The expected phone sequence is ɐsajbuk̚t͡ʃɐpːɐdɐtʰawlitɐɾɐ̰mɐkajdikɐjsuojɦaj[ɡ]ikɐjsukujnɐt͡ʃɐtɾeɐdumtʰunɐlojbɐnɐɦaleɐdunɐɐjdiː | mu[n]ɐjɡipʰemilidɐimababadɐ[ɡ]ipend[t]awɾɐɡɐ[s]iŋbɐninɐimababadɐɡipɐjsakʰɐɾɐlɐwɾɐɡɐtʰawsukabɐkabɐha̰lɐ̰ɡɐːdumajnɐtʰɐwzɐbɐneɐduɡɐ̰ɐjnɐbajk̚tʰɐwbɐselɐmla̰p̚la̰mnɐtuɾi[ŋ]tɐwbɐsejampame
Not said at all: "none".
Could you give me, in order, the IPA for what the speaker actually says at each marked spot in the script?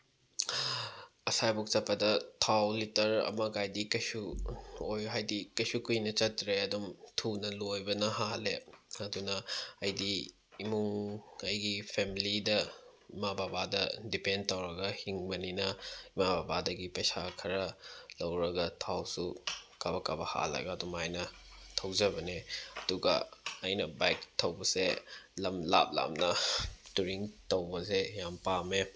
d, ŋ, d, t, h, ŋ

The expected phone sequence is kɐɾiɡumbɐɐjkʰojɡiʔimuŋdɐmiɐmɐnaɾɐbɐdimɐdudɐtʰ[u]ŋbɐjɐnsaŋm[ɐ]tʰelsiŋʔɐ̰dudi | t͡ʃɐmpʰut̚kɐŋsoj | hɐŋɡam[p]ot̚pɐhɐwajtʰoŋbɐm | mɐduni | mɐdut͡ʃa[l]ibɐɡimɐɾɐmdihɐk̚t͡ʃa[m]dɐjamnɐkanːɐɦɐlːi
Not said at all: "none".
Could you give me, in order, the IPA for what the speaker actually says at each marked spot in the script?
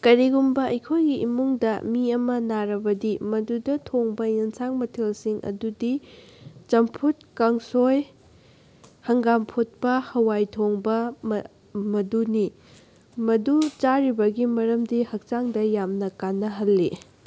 o, ɐ, pʰ, ɾ, ŋ

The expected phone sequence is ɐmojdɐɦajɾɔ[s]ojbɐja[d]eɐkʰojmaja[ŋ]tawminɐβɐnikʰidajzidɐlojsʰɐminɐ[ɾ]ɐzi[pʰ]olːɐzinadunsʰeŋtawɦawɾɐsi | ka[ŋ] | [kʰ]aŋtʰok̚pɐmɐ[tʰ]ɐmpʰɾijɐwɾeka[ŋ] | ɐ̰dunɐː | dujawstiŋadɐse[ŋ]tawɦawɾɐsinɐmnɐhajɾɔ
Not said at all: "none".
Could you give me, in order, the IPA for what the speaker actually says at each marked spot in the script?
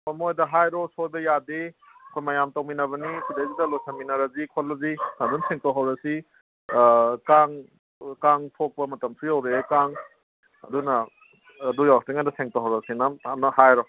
s, d, m, ɾ, kʰ, ŋ, k, t, ŋ, ŋ

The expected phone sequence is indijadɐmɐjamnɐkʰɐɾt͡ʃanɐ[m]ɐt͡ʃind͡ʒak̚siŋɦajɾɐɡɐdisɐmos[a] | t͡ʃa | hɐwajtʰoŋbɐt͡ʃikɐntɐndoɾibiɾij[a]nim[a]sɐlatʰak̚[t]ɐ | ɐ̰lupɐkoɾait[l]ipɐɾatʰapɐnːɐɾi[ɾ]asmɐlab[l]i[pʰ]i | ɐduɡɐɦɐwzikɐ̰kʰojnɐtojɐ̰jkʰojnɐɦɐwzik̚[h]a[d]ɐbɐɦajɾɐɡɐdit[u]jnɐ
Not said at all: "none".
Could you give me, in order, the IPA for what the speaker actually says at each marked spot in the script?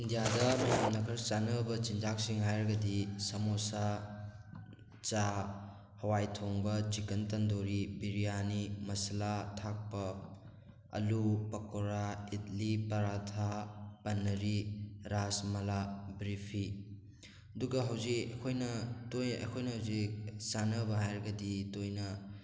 b, a, a, ɐ, p, l, ɾ, ɾ, pʰ, s, n, o

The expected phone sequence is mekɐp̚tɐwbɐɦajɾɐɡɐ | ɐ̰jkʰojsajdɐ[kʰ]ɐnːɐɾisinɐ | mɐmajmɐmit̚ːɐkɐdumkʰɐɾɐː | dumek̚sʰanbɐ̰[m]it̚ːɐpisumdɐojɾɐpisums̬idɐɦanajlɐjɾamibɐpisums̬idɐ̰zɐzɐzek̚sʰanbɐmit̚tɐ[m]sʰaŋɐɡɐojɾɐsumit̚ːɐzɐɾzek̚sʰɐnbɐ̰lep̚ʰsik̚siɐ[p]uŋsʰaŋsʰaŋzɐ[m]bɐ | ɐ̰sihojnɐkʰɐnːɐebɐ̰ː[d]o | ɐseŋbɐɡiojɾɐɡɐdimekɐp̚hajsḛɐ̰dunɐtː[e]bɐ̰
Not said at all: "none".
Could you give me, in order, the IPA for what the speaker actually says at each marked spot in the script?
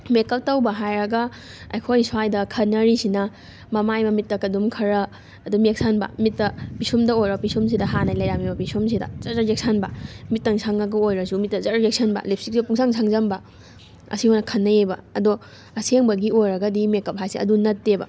kʰ, m, ŋ, p, m, d, e

